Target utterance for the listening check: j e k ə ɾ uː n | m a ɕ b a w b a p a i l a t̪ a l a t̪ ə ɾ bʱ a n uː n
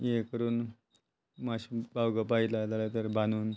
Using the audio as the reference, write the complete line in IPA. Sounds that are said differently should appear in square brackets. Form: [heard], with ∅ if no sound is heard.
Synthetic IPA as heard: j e k ə ɾ uː n | m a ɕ b a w [ɡ] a p a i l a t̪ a l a t̪ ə ɾ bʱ a n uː n

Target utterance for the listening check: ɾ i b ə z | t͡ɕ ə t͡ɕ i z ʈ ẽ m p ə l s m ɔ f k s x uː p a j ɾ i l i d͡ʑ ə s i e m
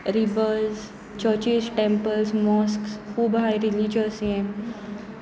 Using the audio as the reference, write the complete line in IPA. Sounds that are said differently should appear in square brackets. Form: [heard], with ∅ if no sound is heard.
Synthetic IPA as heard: ɾ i b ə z | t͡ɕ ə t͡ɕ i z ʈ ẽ m p ə l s m ɔ [s] k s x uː [b] a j ɾ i l i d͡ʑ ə s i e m

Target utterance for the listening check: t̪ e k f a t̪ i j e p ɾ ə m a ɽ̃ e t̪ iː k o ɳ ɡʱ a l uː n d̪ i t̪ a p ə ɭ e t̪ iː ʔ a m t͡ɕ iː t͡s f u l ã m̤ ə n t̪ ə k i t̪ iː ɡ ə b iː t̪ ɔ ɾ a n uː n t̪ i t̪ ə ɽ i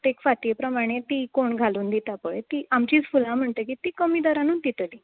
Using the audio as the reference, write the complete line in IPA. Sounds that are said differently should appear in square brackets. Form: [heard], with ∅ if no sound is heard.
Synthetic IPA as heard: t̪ e k f a t̪ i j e p ɾ ə m a ɽ̃ e t̪ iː k o ɳ ɡʱ a l uː n d̪ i t̪ a p ə ɭ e t̪ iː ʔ a m t͡ɕ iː t͡s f u l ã m̤ ə [ɳ] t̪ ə k i t̪ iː [k] ə [m] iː [d̪] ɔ ɾ a n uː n t̪ i t̪ ə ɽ i

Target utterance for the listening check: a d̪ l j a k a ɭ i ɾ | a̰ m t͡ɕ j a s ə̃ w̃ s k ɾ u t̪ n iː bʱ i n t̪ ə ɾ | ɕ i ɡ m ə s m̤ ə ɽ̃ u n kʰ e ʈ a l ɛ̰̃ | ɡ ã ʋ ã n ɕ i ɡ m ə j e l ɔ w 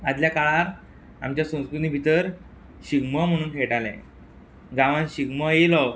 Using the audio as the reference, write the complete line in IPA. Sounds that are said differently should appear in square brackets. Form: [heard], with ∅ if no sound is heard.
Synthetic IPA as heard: a d̪ l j a k a ɭ [a] ɾ | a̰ m t͡ɕ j a s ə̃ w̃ s k ɾ u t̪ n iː bʱ i [∅] t̪ ə ɾ | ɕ i ɡ m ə [∅] m̤ ə ɽ̃ [uː] n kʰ e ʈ a l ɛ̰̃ | ɡ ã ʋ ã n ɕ i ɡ m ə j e l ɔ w

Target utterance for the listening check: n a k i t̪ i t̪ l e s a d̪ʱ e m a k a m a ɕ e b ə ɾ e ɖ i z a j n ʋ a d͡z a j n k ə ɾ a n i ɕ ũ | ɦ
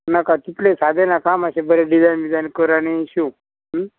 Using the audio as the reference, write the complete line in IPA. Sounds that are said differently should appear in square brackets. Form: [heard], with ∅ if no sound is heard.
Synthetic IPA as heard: n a k [a] t̪ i t̪ l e s a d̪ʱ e [n] a k a m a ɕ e b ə ɾ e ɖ i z a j n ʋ [i] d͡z a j n k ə ɾ a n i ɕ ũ | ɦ

